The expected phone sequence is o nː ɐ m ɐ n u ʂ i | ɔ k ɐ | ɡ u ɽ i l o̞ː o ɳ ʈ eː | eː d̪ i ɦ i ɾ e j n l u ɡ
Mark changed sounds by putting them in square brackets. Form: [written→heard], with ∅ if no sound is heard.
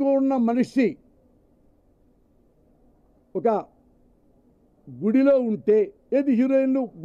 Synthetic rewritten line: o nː ɐ m ɐ n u ʂ i | ɔ k ɐ | ɡ u ɽ i l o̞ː [o→u] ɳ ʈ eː | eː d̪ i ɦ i ɾ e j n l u ɡ